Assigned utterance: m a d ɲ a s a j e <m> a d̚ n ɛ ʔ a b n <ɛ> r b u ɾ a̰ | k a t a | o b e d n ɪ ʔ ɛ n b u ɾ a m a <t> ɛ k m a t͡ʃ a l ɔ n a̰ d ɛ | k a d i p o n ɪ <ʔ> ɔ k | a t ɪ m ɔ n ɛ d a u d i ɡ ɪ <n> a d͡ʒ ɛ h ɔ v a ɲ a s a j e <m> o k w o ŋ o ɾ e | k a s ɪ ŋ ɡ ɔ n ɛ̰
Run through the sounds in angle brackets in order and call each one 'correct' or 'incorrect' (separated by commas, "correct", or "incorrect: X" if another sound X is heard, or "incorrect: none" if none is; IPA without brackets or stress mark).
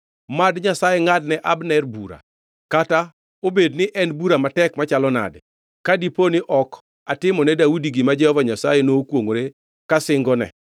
incorrect: ŋ, correct, correct, correct, incorrect: m, incorrect: n